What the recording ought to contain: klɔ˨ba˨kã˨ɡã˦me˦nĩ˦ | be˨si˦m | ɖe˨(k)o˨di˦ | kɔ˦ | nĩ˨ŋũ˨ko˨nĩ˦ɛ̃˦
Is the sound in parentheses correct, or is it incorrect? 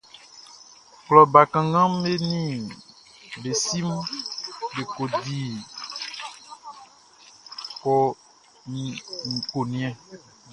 correct